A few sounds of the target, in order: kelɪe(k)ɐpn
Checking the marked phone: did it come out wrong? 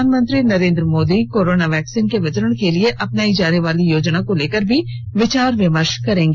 yes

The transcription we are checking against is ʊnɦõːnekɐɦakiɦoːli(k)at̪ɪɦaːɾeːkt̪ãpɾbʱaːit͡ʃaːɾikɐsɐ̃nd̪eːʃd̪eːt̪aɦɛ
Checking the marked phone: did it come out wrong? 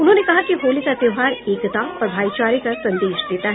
no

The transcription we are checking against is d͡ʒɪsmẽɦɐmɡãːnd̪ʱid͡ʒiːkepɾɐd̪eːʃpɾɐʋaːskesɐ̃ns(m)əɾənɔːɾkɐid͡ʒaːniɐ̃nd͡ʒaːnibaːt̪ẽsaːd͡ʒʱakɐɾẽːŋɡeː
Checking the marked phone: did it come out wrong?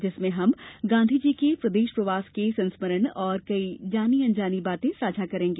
no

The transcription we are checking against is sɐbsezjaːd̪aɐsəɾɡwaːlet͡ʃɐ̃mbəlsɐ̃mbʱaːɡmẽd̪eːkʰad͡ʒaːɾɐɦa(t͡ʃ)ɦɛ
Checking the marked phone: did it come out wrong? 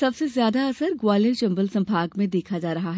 yes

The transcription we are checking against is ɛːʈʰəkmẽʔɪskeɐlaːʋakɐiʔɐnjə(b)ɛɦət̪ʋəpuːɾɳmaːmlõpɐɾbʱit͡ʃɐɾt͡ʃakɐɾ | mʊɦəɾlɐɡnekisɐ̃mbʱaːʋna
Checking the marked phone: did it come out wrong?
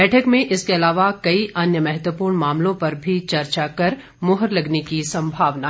yes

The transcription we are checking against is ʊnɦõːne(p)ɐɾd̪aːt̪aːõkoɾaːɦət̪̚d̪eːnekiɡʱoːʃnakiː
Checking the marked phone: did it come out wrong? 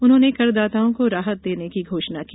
yes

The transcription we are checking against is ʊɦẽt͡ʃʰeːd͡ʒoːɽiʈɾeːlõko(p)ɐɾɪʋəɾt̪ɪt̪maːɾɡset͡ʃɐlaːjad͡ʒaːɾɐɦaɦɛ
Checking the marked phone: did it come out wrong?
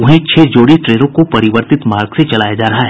no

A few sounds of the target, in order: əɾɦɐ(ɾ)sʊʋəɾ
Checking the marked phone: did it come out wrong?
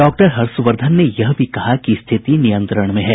no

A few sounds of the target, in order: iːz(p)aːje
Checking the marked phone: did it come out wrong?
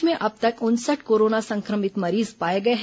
no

